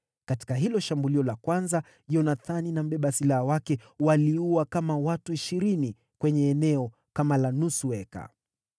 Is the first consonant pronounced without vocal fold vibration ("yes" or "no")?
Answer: yes